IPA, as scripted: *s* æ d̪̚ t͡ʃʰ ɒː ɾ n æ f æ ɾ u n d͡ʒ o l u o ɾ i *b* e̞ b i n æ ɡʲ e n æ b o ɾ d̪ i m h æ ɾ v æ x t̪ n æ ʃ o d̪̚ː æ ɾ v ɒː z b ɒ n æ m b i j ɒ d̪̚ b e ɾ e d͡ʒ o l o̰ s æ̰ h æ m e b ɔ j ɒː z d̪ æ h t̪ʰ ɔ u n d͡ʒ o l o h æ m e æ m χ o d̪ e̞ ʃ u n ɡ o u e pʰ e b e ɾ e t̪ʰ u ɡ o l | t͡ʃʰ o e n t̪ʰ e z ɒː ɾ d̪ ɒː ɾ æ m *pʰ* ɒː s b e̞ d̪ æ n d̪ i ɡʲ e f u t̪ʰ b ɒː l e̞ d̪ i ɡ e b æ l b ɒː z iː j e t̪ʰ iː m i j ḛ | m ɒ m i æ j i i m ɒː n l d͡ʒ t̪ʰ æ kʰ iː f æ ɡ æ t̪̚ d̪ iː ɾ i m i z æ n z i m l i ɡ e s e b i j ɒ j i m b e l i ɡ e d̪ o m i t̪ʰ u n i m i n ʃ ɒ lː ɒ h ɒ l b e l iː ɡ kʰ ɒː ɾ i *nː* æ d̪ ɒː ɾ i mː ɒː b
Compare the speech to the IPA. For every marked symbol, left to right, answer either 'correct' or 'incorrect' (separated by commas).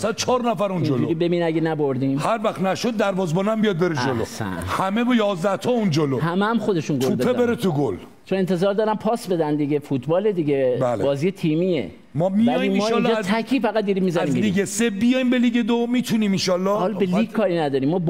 correct, correct, correct, incorrect